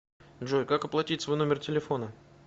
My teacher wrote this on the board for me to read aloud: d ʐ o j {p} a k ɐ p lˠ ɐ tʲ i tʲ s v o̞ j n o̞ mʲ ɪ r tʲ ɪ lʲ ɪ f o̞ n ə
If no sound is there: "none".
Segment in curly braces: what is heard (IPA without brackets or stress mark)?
k